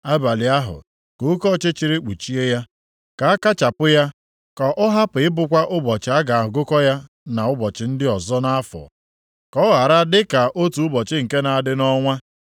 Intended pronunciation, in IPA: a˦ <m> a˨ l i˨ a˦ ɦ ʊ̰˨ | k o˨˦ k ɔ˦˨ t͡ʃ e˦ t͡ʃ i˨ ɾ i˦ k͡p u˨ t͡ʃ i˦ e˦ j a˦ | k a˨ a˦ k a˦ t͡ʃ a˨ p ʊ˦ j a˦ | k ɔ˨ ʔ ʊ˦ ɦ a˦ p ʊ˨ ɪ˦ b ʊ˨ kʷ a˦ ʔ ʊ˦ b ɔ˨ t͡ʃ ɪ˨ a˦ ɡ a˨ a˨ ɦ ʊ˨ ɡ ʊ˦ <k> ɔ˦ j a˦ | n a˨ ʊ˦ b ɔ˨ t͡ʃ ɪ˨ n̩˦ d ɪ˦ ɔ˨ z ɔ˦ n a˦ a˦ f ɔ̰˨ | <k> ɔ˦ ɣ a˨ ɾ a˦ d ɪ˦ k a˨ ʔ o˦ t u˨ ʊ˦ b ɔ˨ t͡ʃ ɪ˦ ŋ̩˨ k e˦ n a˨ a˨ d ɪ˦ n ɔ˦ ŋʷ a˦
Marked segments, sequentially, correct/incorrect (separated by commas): incorrect, correct, correct